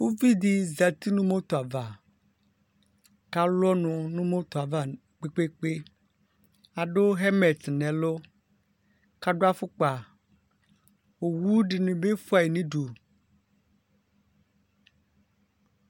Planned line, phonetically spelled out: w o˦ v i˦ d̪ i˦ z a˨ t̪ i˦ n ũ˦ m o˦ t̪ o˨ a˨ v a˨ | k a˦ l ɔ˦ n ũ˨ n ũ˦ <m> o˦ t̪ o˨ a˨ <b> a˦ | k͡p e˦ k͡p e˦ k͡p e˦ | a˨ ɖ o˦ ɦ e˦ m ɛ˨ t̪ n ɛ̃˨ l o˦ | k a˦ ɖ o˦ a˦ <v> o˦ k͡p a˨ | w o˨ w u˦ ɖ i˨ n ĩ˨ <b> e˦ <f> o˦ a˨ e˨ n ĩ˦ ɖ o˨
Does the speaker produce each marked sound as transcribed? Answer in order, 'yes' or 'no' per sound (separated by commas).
yes, no, no, yes, yes